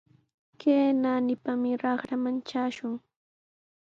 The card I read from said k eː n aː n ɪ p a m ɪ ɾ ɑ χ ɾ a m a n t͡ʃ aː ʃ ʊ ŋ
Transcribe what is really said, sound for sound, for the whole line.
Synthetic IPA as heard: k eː n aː n ɪ p a m ɪ ɾ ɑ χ ɾ a m a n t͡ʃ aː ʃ ʊ ŋ